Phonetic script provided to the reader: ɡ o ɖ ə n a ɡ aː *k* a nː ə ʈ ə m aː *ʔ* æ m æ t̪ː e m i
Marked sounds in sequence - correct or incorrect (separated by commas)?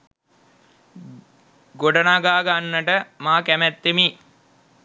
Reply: incorrect, incorrect